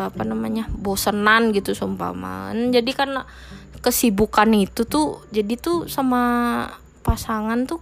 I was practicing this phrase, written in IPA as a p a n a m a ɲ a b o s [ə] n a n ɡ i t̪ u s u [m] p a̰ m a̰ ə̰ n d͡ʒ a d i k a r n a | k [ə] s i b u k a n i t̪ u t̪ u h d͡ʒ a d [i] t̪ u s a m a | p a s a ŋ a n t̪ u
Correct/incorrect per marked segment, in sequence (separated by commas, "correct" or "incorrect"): correct, correct, correct, correct